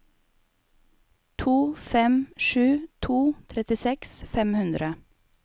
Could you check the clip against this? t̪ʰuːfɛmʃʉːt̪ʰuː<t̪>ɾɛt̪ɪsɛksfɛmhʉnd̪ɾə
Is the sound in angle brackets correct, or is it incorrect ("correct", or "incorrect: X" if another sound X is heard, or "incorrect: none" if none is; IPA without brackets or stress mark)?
incorrect: t̪ʰ